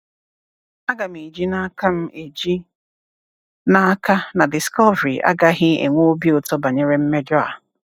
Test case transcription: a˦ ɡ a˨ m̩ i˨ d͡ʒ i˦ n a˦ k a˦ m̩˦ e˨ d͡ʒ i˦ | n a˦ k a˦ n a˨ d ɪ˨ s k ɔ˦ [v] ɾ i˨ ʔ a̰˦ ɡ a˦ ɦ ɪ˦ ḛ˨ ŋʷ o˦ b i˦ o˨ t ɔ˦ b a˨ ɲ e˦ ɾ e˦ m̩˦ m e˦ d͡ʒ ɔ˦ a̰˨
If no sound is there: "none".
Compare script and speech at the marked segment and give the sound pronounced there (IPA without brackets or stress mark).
v